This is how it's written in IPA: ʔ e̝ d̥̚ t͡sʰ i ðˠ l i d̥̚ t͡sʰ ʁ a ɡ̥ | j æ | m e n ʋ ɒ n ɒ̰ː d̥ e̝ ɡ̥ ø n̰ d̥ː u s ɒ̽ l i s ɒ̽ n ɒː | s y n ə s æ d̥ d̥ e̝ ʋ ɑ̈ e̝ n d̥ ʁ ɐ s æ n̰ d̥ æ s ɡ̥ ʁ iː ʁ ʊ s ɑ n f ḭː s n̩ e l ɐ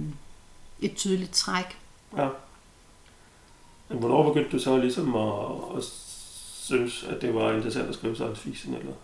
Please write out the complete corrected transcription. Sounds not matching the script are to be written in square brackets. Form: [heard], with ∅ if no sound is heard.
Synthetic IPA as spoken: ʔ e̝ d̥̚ t͡sʰ [y] ðˠ l i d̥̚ t͡sʰ ʁ a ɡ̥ | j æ | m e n ʋ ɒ n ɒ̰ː [b̥] e̝ ɡ̥ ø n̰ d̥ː u s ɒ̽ l i s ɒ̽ [m] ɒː | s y n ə s æ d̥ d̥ e̝ ʋ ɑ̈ e̝ n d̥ ʁ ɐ s æ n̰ d̥ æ s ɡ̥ ʁ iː [∅] ʊ s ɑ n f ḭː s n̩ e l ɐ